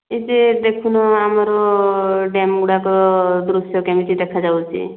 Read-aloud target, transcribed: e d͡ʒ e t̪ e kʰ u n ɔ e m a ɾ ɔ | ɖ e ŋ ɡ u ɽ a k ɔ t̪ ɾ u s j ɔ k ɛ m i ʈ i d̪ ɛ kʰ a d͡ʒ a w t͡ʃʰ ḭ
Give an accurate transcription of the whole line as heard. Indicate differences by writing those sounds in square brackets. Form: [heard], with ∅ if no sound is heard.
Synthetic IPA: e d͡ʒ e [d̪] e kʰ u n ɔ [a] m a ɾ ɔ | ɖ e [m] ɡ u ɽ a k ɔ [d̪] ɾ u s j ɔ k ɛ m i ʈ i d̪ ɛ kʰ a d͡ʒ a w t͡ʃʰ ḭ